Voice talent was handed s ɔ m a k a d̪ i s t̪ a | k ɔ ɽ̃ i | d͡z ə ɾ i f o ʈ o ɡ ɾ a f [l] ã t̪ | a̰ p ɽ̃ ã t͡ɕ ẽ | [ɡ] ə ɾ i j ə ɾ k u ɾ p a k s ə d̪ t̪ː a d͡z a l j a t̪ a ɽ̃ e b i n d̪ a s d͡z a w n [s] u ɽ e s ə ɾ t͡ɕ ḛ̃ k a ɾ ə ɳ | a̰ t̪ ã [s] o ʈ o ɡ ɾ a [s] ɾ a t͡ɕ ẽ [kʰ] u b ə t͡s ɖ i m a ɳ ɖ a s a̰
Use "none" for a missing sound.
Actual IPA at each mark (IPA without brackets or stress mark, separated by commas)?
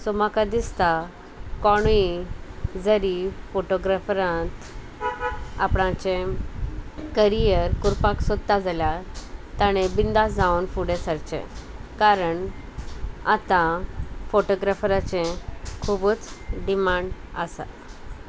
ɾ, k, f, f, f, kʰ